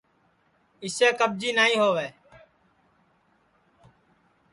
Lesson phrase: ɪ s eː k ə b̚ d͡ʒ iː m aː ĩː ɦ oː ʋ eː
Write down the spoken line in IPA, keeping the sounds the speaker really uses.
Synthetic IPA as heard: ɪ s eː k ə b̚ d͡ʒ iː n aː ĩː ɦ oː ʋ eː